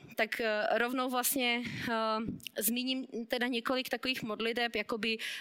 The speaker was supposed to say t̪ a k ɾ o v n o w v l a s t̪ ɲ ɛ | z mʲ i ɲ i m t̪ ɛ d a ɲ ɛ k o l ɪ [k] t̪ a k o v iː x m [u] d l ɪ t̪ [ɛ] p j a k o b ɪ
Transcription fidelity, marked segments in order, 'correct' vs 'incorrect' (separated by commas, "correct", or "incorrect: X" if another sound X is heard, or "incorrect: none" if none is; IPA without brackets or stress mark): correct, incorrect: o, correct